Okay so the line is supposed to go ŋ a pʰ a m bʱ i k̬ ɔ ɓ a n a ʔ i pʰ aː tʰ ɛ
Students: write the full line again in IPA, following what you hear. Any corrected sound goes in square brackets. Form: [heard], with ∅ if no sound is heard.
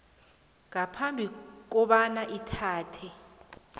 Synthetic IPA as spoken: ŋ a pʰ a m bʱ i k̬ ɔ ɓ a n a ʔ i [tʰ] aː tʰ ɛ

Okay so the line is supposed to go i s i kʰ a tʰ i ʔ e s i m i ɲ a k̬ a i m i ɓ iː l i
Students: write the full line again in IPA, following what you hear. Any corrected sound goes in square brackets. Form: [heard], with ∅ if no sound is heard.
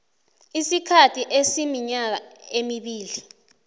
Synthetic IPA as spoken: i s i kʰ a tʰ i ʔ e s i m i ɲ a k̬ a [e] m i ɓ iː l i

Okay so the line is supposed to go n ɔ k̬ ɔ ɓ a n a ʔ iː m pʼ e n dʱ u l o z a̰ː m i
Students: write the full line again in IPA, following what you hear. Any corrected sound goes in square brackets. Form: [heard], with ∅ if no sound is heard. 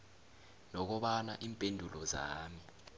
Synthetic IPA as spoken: n ɔ k̬ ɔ ɓ a n a ʔ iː m pʼ e n dʱ u l [ɔ] z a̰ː m i

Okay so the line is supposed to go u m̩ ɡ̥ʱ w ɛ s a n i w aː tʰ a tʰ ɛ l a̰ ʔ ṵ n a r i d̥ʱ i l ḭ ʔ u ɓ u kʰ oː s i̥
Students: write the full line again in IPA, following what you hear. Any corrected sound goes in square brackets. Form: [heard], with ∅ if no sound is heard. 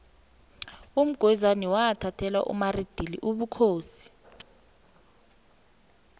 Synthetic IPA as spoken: u m̩ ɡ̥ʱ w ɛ [z] a n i w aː tʰ a tʰ ɛ l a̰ ʔ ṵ [m] a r i d̥ʱ i l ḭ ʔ u ɓ u kʰ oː s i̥

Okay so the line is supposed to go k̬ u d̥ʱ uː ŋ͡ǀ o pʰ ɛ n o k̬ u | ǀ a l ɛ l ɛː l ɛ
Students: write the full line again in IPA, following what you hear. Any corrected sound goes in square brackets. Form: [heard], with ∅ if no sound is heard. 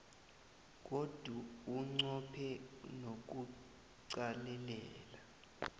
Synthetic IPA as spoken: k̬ [o] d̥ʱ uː ŋ͡ǀ [ɔ] pʰ ɛ n o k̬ u | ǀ a l ɛ l ɛː l [a]

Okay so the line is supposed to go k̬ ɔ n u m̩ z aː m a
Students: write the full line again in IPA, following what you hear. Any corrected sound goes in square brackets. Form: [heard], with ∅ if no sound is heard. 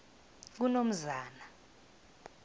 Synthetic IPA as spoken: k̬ [u] n [o] m̩ z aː [n] a

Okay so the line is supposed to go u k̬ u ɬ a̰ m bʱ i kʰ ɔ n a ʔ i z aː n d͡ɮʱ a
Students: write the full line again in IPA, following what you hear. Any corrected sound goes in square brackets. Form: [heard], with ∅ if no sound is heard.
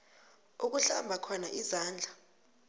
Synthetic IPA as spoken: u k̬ u ɬ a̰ m bʱ [a] kʰ ɔ n a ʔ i z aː n d͡ɮʱ a

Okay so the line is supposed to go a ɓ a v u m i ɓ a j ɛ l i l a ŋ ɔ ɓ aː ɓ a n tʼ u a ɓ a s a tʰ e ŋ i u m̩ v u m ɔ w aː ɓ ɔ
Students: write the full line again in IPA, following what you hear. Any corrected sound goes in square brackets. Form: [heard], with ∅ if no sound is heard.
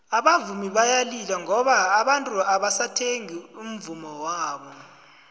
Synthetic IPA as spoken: a ɓ a v u m i ɓ a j [a] l i l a ŋ ɔ ɓ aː ɓ a n tʼ u a ɓ a s a tʰ e ŋ i u m̩ v u m ɔ w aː ɓ ɔ

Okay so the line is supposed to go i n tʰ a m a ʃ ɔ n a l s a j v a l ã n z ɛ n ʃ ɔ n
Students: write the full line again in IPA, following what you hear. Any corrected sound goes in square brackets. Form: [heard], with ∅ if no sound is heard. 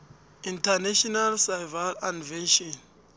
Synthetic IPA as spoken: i n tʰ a [n] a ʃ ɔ n a l s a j v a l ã n [v] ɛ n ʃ ɔ n

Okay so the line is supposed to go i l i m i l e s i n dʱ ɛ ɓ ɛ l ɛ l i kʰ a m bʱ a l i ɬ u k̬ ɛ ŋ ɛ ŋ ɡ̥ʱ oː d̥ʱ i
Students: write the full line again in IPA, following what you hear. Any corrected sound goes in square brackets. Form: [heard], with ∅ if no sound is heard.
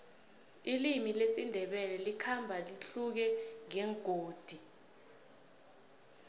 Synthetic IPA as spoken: i l i m i l e s i n dʱ ɛ ɓ ɛ l ɛ l i kʰ a m bʱ a l i ɬ u k̬ ɛ ŋ ɛ ŋ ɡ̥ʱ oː d̥ʱ i

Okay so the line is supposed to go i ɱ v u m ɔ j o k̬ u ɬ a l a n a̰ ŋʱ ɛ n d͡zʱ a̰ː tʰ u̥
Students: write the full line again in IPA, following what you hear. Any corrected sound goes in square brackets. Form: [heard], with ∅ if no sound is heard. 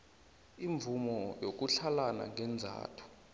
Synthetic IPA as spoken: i ɱ v u m ɔ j o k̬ u ɬ a l a n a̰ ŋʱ ɛ n d͡zʱ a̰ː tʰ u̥

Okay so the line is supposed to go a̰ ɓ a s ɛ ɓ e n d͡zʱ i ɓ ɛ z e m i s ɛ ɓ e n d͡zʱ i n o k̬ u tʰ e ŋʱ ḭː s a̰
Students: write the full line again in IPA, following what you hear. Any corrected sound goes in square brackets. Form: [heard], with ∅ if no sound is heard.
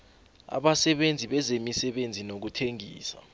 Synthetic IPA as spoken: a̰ ɓ a s ɛ ɓ e n d͡zʱ i ɓ ɛ z e m i s ɛ ɓ e n d͡zʱ i n o k̬ u tʰ e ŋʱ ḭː s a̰

